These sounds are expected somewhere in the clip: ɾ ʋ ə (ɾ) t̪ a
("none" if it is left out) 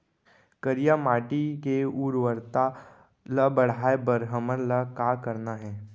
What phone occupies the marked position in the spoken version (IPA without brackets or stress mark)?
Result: ɾ